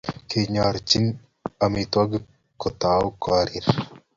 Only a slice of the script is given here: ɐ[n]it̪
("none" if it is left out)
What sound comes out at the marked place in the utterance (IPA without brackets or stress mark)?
m